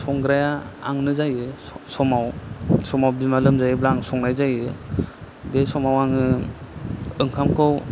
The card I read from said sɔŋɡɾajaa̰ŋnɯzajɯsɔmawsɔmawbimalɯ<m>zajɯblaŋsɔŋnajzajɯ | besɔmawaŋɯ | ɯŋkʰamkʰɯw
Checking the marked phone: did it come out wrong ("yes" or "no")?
no